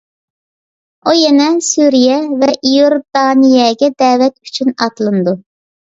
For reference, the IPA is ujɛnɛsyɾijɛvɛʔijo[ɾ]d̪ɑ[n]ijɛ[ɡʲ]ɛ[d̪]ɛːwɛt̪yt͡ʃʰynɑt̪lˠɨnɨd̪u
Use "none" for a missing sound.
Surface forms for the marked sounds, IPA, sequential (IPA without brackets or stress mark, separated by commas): ɾ, n, ɡʲ, d̪